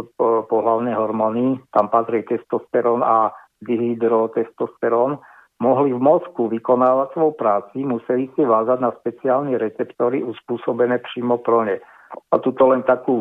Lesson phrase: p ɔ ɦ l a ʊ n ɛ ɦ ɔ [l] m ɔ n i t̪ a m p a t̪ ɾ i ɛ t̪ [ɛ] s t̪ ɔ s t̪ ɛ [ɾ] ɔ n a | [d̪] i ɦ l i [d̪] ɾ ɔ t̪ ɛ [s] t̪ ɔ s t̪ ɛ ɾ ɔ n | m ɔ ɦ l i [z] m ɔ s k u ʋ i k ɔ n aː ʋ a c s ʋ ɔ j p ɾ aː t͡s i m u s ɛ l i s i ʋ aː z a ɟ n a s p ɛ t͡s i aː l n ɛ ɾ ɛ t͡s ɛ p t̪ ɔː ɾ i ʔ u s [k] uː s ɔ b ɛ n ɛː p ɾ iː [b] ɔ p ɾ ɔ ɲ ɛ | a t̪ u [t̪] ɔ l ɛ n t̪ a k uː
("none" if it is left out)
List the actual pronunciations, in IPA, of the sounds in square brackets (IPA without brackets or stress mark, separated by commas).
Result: ɾ, ɛ, ɾ, d̪, d̪, s, v, p, m, t̪